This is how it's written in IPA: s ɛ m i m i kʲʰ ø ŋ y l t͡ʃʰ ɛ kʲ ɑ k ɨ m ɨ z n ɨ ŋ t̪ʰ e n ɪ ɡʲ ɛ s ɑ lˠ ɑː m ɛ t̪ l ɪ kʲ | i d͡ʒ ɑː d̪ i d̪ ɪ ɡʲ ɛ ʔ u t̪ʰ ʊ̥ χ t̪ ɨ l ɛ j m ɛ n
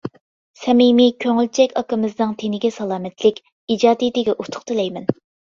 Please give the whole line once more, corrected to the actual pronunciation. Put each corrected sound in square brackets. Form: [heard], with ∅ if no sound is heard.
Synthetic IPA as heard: s ɛ m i m i kʲʰ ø ŋ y l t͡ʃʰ ɛ kʲ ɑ k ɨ m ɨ z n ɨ ŋ t̪ʰ e n ɪ ɡʲ ɛ s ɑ lˠ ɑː m ɛ t̪ l ɪ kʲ | i d͡ʒ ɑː d̪ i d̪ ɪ ɡʲ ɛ ʔ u t̪ʰ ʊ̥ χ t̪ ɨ l ɛ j m ɛ n